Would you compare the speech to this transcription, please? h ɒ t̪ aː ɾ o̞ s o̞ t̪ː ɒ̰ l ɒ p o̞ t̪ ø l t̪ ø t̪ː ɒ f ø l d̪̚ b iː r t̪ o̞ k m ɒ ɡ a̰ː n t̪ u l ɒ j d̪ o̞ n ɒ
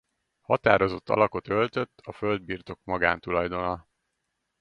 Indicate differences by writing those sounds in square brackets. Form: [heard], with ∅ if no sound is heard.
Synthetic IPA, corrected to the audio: h ɒ t̪ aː ɾ o̞ [z] o̞ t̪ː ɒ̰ l ɒ [k] o̞ t̪ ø l t̪ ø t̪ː ɒ f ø l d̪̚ b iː r t̪ o̞ k m ɒ ɡ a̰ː n t̪ u l ɒ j d̪ o̞ n ɒ